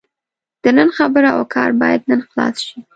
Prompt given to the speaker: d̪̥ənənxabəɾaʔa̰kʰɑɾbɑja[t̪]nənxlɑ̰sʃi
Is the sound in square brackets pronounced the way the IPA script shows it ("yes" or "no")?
no